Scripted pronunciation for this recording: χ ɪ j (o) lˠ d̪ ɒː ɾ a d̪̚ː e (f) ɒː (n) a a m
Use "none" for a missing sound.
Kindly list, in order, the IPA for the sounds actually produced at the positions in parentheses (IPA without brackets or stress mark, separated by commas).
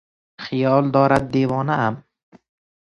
ɒ, v, n